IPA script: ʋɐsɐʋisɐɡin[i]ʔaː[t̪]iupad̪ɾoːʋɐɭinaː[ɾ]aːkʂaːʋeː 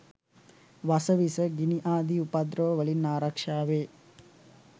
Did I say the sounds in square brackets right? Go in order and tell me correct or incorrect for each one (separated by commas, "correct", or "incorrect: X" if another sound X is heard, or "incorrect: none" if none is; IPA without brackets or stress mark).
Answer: correct, incorrect: d̪, correct